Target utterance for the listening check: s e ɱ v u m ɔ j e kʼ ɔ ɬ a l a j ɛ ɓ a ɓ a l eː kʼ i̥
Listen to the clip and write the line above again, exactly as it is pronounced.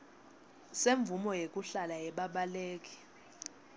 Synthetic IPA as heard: s e ɱ v u m ɔ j e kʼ u ɬ a l a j ɛ ɓ a ɓ a l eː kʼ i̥

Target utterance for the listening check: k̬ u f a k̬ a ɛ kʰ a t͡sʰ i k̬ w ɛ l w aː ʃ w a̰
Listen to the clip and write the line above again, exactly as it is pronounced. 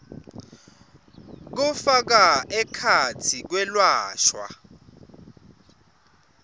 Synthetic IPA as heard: k̬ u f a k̬ a ɛ kʰ a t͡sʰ i k̬ w ɛ l w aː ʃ w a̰

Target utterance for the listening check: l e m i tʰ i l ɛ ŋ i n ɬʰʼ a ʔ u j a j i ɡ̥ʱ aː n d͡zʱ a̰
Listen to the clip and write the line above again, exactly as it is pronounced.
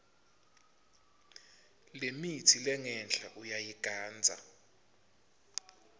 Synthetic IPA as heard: l e m i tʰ i l ɛ ŋ ɛ n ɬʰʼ a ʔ u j a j i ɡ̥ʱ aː n d͡zʱ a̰

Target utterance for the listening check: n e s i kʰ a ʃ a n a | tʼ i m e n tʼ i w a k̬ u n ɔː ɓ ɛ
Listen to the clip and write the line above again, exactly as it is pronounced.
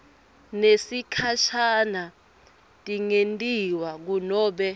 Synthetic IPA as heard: n e s i kʰ a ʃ a n a | tʼ i ŋ e n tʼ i w a k̬ u n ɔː ɓ ɛ

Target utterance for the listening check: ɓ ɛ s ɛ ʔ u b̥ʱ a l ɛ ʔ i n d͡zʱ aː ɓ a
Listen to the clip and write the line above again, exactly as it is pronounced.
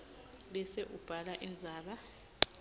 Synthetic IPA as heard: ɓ ɛ s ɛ ʔ u b̥ʱ a l a ʔ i n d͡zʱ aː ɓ a

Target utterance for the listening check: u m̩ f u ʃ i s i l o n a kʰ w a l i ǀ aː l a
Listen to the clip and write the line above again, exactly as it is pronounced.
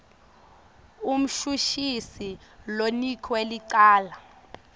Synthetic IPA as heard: u m̩ ʃ u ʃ i s i l o n i kʰ w e l i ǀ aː l a

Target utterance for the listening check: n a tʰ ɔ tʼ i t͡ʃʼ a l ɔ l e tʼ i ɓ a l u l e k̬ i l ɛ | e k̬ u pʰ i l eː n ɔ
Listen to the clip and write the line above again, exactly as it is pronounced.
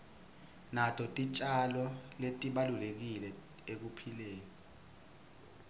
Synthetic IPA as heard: n a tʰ ɔ tʼ i t͡ʃʼ a l ɔ l e tʼ i ɓ a l u l e k̬ i l ɛ | e k̬ u pʰ i l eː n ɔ

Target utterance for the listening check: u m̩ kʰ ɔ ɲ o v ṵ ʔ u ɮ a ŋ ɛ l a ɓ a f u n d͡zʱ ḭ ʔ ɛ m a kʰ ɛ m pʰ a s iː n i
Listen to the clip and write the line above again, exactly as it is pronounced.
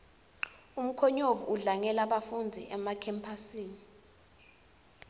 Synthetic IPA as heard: u m̩ kʰ ɔ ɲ o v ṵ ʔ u ɮ a ŋ ɛ l a ɓ a f u n d͡zʱ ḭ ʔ ɛ m a kʰ ɛ m pʰ a s iː n i

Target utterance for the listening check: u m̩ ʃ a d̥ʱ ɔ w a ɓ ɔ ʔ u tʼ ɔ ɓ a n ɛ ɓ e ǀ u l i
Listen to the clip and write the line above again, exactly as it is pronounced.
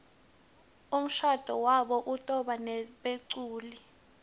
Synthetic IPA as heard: u m̩ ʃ a d̥ʱ ɔ w a ɓ ɔ ʔ u tʼ ɔ ɓ a n ɛ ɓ e ǀ uː l i

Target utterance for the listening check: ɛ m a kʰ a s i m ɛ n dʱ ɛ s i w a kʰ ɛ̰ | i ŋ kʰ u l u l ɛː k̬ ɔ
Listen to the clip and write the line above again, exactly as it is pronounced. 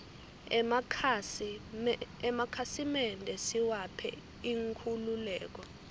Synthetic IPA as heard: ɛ m a kʰ a s i m ɛ n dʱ ɛ s i w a pʰ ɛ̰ | i ŋ kʰ u l u l ɛː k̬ ɔ

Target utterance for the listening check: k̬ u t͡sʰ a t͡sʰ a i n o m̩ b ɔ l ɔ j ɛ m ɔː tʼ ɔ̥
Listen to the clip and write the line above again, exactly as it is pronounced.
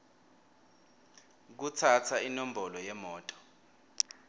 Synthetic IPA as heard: k̬ u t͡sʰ a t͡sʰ a i n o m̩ b ɔ l ɔ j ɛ m ɔː tʼ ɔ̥

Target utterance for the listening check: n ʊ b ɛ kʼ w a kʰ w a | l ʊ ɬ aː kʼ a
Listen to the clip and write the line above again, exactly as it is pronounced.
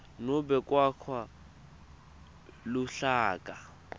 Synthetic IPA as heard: n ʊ b ɛ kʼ w a kʰ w a | l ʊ ɬ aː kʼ a

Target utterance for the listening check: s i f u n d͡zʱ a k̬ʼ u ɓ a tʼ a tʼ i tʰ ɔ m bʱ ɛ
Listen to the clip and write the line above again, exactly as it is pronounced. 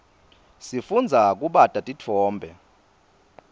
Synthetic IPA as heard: s i f u n d͡zʱ a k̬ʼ u ɓ a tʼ a tʼ i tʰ ɔː m bʱ ɛ

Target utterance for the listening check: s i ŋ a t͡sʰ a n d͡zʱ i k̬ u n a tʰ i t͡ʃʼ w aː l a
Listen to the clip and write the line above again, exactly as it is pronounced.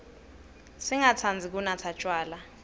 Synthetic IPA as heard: s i ŋ a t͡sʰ a n d͡zʱ i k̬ u n a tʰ a t͡ʃʼ w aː l a

